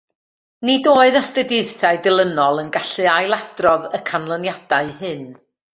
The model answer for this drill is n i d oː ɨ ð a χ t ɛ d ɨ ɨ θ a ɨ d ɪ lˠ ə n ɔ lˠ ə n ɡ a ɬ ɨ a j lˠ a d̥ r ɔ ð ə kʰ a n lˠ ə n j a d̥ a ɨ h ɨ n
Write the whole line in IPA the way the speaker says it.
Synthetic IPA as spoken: n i d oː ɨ ð a s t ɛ d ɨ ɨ θ a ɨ d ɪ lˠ ə n ɔ lˠ ə n ɡ a ɬ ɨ a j lˠ a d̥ r ɔ ð ə kʰ a n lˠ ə n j a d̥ a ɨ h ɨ n